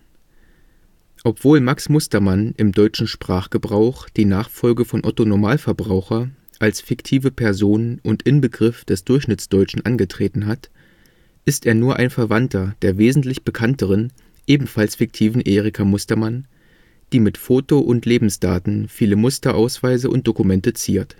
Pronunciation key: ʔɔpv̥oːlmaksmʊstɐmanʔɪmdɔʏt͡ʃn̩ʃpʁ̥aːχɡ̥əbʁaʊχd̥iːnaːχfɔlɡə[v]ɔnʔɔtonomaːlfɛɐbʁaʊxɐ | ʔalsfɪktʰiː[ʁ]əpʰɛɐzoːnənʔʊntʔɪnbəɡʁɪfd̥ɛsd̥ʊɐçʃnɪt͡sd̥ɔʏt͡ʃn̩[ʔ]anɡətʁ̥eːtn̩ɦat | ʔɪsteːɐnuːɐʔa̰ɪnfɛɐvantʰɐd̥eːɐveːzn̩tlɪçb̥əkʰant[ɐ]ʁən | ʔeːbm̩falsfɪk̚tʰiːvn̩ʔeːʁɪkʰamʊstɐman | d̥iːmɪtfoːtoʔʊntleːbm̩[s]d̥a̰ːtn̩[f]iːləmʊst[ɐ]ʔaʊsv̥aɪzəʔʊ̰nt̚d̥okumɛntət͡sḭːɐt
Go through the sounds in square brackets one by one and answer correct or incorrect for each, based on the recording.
incorrect, incorrect, correct, incorrect, correct, correct, correct

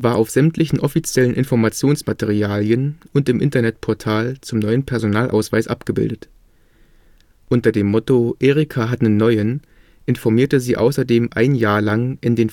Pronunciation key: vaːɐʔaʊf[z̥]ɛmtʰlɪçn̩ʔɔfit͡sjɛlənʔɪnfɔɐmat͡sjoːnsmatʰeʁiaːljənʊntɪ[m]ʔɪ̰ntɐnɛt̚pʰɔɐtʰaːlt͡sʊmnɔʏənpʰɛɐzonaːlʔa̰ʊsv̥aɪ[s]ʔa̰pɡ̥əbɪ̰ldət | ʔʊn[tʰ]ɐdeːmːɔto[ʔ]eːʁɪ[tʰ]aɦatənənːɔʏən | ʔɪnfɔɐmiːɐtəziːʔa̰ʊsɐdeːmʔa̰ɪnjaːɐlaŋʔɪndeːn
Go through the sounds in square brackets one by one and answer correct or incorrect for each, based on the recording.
correct, correct, correct, incorrect, correct, incorrect

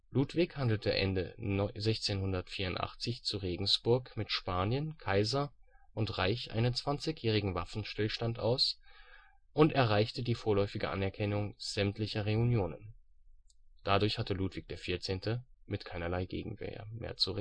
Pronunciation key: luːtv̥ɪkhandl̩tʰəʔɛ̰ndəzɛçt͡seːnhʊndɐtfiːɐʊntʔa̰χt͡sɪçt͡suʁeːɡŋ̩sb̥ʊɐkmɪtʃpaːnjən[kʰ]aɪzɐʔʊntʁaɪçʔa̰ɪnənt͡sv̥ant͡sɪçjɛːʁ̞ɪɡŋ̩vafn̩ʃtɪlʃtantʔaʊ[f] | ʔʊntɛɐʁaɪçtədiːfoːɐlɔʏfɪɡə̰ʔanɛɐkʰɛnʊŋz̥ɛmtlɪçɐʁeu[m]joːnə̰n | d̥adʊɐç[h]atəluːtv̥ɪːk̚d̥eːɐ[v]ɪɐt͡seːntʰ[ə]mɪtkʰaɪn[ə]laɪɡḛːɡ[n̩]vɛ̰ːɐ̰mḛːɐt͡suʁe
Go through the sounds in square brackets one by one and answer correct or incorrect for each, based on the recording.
correct, incorrect, incorrect, correct, incorrect, correct, incorrect, incorrect

